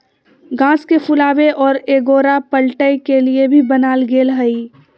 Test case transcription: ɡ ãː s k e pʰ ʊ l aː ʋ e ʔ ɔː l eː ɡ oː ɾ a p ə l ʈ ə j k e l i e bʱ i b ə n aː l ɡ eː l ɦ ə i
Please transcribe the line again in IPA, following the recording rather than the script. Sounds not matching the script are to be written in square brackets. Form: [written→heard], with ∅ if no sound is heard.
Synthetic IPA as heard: ɡ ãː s k e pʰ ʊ l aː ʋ e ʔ ɔː [l→ɾ] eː ɡ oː ɾ a p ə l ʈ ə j k e l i e bʱ i b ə n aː l ɡ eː l ɦ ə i